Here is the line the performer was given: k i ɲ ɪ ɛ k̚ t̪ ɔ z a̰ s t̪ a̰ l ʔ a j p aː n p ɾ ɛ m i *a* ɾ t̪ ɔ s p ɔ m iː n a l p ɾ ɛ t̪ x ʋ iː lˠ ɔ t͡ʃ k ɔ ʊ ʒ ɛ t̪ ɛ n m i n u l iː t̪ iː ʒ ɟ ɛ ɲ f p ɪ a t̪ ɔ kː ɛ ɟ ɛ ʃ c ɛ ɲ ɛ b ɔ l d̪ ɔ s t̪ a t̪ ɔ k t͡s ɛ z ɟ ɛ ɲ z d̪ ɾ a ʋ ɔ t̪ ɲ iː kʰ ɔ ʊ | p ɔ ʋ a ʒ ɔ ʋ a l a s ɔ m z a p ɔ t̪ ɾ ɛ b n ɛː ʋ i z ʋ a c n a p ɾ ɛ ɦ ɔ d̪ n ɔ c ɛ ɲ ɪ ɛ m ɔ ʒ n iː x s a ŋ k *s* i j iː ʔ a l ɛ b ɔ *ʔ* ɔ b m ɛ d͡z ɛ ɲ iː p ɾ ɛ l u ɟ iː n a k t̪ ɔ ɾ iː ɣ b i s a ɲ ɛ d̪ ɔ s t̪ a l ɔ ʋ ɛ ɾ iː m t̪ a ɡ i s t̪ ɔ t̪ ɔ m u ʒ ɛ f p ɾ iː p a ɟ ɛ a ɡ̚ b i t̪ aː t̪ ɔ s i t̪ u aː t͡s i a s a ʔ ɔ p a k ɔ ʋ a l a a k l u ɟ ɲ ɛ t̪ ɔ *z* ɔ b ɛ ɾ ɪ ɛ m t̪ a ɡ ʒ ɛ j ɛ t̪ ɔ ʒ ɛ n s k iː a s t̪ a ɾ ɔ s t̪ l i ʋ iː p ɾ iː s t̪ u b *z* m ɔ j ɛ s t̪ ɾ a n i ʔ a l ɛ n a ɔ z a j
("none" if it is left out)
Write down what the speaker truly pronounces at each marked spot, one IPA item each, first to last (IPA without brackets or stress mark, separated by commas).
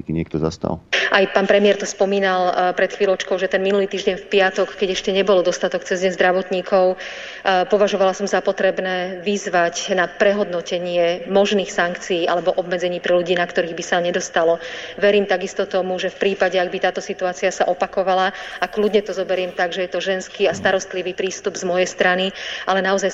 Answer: ɛ, t͡s, ʔ, z, z